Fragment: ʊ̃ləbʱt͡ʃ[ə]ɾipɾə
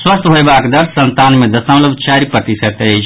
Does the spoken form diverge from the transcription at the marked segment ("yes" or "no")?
yes